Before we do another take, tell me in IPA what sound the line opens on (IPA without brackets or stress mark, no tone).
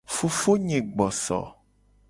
f